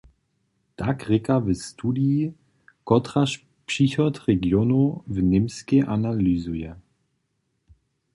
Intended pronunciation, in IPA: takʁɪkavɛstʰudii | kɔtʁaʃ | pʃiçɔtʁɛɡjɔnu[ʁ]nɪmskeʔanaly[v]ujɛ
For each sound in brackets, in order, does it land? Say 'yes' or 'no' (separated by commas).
no, no